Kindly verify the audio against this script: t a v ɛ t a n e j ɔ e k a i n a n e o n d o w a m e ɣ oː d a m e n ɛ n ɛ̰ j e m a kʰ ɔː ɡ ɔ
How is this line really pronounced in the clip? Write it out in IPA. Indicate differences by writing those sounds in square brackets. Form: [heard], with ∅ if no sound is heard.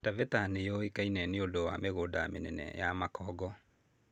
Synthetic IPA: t a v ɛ t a n e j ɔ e k a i n [ɛ] n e o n d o w a m e ɣ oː d a m e n ɛ n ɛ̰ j [a] m a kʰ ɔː ɡ ɔ